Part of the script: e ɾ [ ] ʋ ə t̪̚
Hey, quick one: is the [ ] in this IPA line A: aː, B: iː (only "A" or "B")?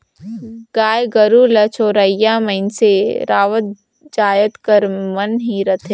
A